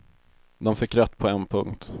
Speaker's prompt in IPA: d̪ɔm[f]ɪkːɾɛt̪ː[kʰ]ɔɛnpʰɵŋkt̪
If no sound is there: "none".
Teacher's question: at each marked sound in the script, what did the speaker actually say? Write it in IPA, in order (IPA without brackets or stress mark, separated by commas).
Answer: f, pʰ